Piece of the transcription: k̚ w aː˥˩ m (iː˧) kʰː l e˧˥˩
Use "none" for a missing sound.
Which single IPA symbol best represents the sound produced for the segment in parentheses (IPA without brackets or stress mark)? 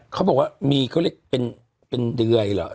iː˧